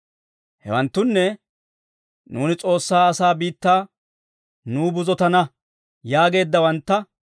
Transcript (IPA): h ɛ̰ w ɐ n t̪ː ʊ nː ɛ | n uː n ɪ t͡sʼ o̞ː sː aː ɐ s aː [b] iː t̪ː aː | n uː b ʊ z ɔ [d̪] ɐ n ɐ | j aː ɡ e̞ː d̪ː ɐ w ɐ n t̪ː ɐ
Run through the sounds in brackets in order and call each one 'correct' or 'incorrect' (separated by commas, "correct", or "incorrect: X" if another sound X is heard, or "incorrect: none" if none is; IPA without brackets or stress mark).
correct, incorrect: t̪